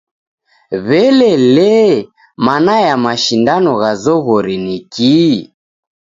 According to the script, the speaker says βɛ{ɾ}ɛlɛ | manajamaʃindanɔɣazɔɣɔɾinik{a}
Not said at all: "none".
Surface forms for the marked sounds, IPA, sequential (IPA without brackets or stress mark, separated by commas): l, i